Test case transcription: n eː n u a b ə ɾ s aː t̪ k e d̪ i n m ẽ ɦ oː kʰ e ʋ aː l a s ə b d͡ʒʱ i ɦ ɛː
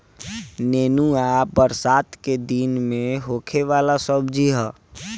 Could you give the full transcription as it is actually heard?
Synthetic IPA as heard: n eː n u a b ə ɾ s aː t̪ k e d̪ i n m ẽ ɦ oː kʰ e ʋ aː l a s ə b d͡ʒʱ i ɦ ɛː